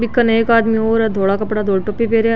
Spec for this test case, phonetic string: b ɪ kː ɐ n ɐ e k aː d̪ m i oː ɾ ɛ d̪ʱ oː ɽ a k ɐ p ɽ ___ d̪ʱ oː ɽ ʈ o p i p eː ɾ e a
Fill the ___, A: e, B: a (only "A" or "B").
B